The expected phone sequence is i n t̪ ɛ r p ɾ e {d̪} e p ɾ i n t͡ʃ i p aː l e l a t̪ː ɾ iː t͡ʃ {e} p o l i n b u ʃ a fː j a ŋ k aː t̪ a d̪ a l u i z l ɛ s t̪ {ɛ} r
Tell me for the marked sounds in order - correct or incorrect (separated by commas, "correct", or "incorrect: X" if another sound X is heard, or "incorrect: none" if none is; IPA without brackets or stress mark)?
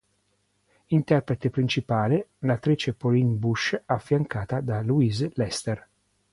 incorrect: t̪, correct, incorrect: e